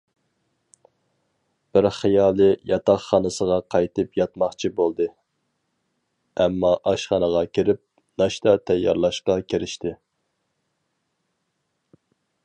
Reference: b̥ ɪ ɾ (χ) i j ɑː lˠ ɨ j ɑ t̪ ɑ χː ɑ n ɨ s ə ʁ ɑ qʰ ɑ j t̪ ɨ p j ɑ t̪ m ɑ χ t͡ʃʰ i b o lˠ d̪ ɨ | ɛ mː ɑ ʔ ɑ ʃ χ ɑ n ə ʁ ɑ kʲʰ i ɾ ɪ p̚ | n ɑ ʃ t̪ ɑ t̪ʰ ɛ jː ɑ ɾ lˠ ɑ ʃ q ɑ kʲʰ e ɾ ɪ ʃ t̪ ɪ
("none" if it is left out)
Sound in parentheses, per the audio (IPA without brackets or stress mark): χ